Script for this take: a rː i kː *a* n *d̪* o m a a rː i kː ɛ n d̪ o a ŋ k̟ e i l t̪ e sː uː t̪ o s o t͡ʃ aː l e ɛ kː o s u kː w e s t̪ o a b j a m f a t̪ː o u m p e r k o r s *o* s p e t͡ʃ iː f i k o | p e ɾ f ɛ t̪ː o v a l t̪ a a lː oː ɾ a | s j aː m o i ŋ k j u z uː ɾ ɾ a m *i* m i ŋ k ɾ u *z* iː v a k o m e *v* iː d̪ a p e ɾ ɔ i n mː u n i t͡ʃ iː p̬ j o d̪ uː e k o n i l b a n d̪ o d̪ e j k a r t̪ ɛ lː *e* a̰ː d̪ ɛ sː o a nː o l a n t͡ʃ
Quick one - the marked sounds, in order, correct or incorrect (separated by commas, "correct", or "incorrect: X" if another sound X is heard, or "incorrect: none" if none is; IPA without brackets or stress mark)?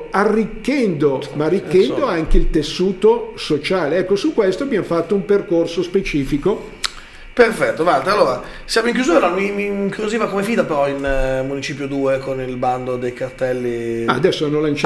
incorrect: ɛ, correct, correct, correct, correct, incorrect: f, incorrect: i